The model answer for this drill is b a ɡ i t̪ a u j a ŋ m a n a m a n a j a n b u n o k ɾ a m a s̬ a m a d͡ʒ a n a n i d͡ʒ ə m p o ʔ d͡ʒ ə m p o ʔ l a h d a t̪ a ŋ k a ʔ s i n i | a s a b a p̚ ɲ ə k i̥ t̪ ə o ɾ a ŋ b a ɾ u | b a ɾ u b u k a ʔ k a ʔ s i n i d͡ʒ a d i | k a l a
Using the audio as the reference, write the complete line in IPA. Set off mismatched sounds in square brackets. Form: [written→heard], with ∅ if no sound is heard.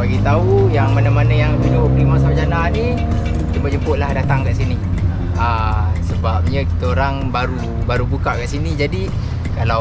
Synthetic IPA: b a ɡ i t̪ a u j a ŋ m a n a m a n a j a [n→ŋ] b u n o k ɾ [a→i] m a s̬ a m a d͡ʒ a n a n i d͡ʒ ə m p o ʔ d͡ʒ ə m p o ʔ l a h d a t̪ a ŋ k a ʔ s i n i | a s [a→ə] b a p̚ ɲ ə k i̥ t̪ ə o ɾ a ŋ b a ɾ u | b a ɾ u b u k a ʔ k a ʔ s i n i d͡ʒ a d i | k a l a